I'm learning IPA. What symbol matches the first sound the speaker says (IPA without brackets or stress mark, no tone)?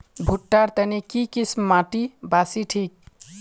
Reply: bʱ